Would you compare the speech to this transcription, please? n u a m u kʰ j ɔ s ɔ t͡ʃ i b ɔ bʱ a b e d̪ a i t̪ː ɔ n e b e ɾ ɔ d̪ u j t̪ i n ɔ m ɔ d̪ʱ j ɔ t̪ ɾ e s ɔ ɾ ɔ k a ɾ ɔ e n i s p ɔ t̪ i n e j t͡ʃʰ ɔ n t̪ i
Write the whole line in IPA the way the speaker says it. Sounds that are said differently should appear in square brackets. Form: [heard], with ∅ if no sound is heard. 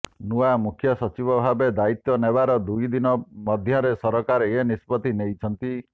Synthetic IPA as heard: n u a m u kʰ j ɔ s ɔ t͡ʃ i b ɔ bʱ a b e d̪ a i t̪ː ɔ n e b [a] ɾ ɔ d̪ u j [d̪] i n ɔ m ɔ d̪ʱ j ɔ [∅] ɾ e s ɔ ɾ ɔ k a ɾ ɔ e n i s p ɔ t̪ i n e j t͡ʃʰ ɔ n t̪ i